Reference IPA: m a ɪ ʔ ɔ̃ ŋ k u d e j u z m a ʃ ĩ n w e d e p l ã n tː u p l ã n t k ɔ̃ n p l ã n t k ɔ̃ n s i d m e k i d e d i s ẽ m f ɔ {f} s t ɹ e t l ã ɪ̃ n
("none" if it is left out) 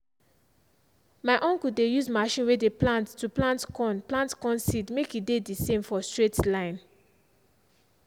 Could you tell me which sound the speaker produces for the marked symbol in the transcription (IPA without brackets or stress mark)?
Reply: none